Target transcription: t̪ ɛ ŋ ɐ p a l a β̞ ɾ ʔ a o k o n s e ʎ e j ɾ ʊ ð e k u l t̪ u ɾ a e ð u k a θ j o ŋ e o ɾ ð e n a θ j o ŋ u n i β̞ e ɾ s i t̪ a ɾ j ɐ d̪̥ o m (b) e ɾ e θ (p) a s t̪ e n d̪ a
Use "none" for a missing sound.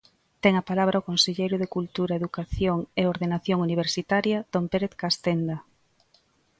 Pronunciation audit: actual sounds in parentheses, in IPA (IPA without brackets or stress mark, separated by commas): p, k